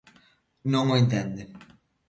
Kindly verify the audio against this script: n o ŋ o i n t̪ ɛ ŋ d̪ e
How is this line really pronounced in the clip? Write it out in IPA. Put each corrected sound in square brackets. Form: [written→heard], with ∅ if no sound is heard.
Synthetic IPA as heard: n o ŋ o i n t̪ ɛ [ŋ→n] d̪ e